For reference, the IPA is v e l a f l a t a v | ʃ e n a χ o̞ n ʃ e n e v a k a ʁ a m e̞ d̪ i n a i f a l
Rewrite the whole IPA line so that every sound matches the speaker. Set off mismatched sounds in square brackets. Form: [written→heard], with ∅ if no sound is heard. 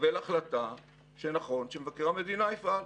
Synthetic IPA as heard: v e l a [f→χ] l a t a [v→∅] | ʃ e n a χ o̞ n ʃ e [n→m] e v a k [a→e] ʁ a m e̞ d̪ i n a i f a l